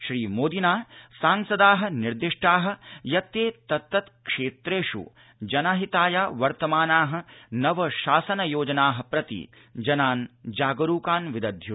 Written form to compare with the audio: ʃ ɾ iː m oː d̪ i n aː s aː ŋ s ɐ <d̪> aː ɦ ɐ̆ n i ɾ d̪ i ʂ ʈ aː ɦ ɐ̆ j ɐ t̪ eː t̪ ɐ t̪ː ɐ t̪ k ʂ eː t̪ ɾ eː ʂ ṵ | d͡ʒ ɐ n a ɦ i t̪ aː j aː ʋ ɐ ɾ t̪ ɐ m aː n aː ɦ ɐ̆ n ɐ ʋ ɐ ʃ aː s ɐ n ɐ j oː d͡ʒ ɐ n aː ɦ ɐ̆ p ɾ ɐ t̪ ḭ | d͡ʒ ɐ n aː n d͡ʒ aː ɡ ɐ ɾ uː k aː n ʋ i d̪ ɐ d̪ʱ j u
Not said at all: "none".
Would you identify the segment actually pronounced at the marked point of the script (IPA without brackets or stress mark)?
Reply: d̪